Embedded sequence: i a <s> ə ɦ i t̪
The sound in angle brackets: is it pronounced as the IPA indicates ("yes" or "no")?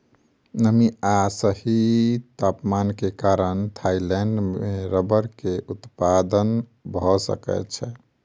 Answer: yes